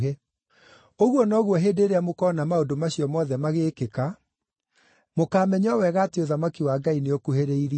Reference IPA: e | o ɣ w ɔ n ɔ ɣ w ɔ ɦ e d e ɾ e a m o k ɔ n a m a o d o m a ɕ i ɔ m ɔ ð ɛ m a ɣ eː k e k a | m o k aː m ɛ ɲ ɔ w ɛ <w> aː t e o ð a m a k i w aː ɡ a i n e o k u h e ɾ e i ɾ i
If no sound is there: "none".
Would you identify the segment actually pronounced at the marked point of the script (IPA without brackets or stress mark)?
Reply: ɣ